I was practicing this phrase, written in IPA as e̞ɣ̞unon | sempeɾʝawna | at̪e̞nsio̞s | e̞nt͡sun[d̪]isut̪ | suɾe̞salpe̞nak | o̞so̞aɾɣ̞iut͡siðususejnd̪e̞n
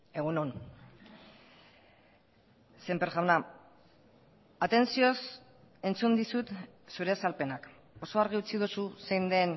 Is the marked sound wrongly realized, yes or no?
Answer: no